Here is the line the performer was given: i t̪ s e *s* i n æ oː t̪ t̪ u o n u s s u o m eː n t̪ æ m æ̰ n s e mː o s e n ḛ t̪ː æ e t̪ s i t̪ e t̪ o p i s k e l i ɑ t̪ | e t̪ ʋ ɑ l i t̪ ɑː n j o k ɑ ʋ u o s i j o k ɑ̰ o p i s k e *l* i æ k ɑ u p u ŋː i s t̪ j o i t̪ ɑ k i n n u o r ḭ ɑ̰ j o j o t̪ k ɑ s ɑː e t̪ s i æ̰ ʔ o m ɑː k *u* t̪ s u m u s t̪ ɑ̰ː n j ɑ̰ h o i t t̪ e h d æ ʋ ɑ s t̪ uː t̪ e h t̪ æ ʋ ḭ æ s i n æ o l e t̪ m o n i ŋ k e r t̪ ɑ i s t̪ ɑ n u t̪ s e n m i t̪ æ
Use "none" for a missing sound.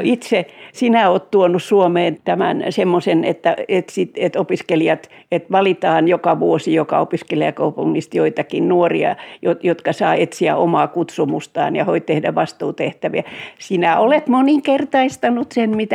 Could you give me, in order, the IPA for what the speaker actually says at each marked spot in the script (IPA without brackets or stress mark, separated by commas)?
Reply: s, l, u